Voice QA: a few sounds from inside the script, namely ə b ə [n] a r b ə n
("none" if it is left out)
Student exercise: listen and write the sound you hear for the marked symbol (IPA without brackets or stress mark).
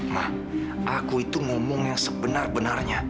n